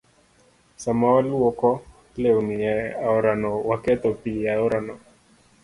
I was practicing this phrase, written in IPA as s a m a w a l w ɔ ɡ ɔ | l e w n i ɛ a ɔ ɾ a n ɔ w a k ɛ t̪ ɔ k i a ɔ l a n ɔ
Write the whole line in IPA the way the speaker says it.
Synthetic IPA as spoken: s a m a w a l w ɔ k ɔ | l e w n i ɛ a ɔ ɾ a n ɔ w a k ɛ t̪ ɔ p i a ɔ ɾ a n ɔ